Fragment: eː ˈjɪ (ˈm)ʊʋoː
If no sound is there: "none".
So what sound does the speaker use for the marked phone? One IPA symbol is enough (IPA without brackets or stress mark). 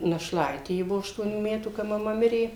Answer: b